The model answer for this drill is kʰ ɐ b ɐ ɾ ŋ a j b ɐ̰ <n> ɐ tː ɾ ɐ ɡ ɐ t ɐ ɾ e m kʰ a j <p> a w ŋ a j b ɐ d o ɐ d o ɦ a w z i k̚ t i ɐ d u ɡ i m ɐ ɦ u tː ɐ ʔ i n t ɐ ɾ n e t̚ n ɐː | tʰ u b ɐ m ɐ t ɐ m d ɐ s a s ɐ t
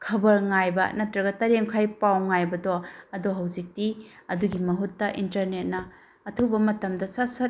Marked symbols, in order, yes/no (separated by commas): yes, yes